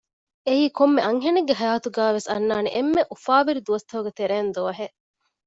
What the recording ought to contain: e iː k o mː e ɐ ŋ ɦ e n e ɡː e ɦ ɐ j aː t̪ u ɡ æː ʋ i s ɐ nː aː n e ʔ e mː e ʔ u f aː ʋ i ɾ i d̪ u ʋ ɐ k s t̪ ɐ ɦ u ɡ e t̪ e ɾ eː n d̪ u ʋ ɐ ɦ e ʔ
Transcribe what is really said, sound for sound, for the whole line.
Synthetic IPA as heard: e iː k o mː e ɐ ŋ ɦ e n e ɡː e ɦ ɐ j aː t̪ u ɡ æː ʋ e s ɐ nː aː n e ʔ e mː e ʔ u f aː ʋ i ɾ i d̪ u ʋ ɐ s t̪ ɐ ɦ u ɡ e t̪ e ɾ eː n d̪ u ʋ ɐ ɦ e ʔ